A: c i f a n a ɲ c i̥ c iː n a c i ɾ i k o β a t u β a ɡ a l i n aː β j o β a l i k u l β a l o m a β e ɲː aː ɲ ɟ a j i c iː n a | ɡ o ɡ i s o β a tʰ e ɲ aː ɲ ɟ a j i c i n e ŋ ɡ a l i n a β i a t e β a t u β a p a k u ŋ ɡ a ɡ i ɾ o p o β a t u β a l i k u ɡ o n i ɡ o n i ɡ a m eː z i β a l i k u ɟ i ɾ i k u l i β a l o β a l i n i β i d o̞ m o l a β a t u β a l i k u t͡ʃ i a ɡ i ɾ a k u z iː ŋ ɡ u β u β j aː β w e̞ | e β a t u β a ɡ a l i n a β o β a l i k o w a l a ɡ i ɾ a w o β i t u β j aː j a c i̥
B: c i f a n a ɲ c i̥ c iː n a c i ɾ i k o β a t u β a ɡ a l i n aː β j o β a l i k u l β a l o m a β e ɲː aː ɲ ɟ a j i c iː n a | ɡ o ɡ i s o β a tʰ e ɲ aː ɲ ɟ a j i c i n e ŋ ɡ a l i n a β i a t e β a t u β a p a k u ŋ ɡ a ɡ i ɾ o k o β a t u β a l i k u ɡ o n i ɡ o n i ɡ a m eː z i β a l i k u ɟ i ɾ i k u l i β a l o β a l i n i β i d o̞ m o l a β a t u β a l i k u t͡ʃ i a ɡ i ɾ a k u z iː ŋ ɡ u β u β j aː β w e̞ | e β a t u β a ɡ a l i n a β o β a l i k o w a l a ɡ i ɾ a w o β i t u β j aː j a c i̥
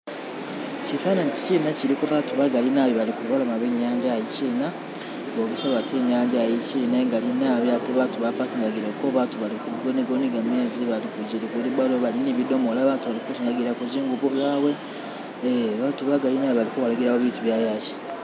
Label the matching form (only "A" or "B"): B